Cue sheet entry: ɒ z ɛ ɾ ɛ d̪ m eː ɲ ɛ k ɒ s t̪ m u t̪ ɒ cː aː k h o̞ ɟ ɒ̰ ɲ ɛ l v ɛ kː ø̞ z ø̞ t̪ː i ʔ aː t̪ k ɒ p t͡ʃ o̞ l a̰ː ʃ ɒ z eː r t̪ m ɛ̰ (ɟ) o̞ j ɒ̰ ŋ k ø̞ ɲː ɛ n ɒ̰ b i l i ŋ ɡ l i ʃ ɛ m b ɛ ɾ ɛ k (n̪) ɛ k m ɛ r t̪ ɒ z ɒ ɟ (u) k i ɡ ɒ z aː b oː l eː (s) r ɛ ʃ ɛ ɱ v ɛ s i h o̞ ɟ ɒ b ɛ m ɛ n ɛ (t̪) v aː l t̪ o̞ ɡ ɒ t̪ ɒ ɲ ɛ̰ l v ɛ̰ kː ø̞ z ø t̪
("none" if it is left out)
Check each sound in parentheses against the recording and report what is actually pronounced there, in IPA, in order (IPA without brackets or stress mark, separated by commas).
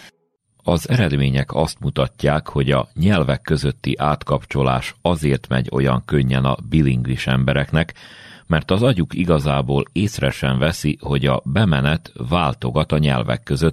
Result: ɟ, n̪, u, s, t̪